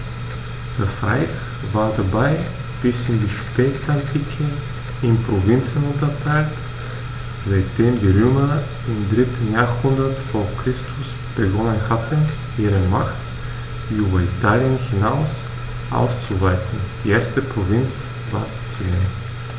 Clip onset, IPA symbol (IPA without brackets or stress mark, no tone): d̥